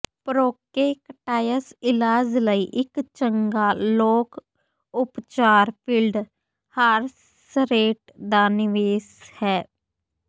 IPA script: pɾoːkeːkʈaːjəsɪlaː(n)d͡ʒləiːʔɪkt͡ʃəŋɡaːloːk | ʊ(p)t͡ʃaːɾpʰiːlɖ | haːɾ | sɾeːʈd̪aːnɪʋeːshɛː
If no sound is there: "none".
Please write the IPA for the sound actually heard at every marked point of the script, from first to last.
none, p

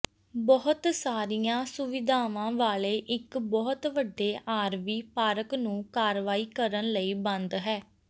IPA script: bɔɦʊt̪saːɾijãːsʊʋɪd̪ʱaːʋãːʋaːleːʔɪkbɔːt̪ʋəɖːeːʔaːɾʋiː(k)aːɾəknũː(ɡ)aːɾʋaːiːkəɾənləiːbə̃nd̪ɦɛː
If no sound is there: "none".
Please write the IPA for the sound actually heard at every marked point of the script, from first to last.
p, k

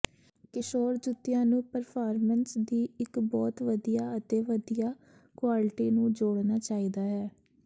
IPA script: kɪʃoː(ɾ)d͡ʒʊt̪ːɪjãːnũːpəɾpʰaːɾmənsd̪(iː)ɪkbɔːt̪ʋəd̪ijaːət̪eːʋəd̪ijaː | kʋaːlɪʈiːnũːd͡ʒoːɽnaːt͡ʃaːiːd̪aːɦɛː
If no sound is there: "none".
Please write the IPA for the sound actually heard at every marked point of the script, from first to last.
ɾ, iː

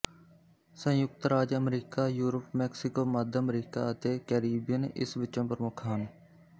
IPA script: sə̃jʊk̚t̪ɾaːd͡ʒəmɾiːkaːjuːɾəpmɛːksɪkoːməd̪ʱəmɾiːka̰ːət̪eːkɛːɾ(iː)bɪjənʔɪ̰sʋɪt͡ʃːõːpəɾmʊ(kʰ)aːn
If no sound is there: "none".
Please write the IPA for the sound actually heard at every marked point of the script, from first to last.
iː, kʰ

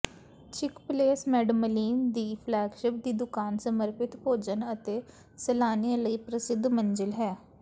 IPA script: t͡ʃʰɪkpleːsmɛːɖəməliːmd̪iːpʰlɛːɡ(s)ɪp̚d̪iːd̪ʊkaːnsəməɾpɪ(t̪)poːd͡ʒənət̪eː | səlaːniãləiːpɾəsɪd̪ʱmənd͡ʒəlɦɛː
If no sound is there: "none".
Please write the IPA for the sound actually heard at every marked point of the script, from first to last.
ʃ, t̪

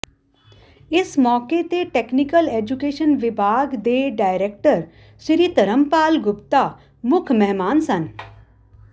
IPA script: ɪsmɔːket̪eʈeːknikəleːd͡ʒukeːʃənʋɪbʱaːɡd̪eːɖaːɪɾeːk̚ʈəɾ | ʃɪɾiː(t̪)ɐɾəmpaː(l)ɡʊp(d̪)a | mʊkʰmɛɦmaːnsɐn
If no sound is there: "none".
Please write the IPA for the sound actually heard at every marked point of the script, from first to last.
t̪, l, t̪

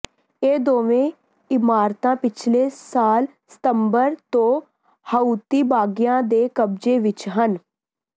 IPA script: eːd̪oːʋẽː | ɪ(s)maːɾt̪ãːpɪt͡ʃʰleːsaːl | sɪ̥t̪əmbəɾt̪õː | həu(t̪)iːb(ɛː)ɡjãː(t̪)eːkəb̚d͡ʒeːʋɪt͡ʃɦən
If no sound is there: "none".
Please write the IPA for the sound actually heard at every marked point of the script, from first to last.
none, t̪, aː, d̪

